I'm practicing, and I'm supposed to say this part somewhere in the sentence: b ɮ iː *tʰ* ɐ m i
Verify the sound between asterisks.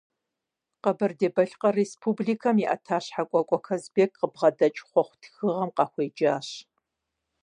incorrect: kʰ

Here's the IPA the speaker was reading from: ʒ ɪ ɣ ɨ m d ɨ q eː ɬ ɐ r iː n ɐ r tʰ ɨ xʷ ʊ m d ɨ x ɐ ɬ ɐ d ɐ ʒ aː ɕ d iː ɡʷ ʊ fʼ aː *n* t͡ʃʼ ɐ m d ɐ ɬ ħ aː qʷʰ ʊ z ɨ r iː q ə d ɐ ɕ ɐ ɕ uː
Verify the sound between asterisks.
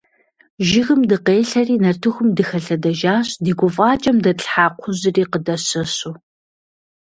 incorrect: none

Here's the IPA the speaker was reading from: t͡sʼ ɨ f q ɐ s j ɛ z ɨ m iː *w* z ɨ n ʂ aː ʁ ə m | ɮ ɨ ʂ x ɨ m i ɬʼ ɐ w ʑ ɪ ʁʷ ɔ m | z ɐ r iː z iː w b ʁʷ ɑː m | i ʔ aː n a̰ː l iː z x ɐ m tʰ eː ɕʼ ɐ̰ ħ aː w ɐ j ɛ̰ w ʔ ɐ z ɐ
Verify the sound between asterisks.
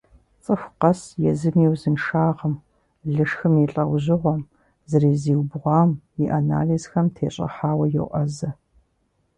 correct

